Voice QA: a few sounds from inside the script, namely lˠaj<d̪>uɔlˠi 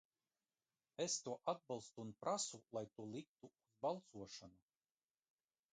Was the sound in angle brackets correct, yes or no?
no